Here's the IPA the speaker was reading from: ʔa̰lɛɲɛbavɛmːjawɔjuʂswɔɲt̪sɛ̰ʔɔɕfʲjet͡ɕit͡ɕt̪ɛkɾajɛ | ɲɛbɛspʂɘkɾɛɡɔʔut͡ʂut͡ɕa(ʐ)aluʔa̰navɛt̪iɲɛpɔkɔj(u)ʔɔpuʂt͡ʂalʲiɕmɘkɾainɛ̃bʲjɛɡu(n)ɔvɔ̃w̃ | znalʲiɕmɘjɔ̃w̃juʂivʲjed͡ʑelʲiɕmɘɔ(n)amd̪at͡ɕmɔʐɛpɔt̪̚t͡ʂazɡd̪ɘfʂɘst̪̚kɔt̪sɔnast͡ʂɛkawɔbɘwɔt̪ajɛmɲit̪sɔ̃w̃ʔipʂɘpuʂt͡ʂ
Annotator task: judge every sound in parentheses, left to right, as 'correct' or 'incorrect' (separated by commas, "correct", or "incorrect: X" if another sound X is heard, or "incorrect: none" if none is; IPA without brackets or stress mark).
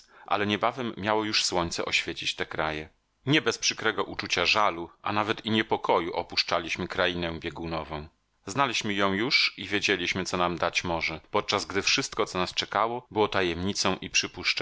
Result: correct, correct, correct, correct